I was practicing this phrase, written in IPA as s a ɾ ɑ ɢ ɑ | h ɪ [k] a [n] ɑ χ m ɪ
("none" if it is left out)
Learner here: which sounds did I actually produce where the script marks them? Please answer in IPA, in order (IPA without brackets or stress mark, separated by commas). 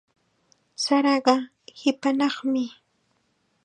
p, n